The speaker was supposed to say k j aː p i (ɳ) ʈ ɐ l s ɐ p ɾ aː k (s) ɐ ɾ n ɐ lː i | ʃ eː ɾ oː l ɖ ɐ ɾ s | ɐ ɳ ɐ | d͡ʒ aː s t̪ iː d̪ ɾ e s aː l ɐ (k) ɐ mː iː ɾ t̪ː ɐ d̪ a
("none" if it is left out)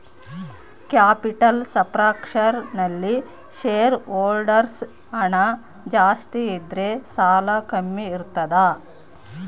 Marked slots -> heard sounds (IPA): none, ʂ, k

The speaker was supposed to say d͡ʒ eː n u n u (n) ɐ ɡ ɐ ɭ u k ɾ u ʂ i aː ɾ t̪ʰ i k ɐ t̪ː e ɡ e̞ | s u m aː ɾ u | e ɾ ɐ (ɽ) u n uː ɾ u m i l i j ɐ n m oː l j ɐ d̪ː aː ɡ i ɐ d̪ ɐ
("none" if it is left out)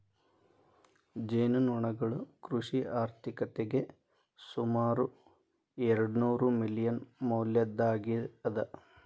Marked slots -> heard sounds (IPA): ɳ, ɽ

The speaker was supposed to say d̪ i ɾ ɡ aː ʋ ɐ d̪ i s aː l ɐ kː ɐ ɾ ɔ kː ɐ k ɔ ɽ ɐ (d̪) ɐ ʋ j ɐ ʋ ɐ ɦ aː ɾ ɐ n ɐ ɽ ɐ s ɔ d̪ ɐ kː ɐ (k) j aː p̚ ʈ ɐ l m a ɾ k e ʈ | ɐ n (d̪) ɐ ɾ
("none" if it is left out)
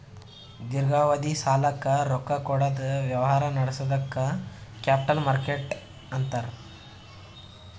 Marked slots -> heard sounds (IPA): d̪, k, t̪

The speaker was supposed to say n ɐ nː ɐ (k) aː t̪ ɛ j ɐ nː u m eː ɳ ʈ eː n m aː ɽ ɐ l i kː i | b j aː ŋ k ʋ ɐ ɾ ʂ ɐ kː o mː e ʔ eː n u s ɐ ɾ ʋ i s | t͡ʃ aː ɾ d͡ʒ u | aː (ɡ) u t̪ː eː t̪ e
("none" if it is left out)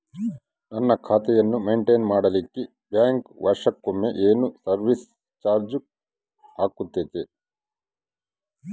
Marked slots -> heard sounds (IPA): kʰ, k

